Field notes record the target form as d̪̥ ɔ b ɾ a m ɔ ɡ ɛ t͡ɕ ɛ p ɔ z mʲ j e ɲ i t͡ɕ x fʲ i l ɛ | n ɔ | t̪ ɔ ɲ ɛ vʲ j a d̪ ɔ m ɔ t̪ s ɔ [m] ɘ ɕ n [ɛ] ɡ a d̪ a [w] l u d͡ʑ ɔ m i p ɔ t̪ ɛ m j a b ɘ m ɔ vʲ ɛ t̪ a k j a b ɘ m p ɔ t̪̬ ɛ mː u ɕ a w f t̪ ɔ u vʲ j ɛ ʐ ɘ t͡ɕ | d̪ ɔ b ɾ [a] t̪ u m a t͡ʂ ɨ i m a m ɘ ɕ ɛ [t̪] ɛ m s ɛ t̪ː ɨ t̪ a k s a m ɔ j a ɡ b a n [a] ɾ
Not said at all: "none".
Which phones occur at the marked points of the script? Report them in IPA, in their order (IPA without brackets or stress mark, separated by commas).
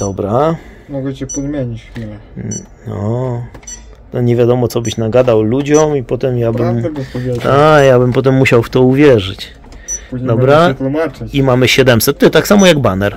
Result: b, a, w, a, d̪, ɛ